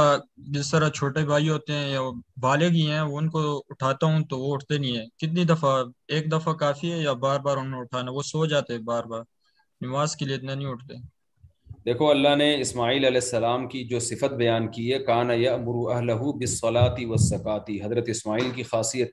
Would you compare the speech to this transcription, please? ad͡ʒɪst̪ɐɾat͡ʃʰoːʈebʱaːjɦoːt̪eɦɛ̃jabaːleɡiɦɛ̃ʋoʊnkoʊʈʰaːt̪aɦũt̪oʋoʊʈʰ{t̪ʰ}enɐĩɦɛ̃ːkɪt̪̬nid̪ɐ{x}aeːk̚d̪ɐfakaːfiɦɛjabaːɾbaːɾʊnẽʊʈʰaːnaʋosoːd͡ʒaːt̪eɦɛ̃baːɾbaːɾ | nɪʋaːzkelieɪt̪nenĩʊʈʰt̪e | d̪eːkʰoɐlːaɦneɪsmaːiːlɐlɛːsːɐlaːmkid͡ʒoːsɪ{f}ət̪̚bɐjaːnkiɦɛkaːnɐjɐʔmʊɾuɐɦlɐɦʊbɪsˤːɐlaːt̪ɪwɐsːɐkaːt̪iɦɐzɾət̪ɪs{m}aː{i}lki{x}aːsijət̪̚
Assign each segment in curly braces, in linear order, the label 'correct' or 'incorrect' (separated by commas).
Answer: incorrect, incorrect, correct, correct, incorrect, correct